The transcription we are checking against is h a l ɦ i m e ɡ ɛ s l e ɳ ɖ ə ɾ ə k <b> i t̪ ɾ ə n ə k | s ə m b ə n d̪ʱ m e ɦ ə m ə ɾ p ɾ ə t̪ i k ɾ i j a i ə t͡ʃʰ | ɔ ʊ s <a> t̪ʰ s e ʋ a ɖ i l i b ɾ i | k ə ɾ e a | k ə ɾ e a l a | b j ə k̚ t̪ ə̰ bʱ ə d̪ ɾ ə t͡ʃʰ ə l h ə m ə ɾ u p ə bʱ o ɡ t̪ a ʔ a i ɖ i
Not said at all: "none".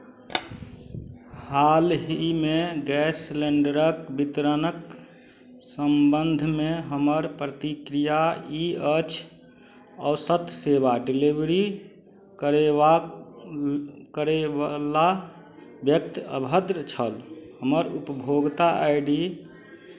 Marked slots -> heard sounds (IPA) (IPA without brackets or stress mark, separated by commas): b, ə